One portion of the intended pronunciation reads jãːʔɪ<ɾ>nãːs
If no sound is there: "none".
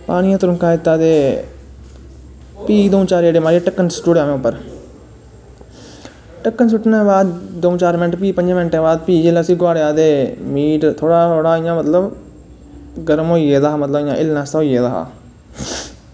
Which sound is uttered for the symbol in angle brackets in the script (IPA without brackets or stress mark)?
l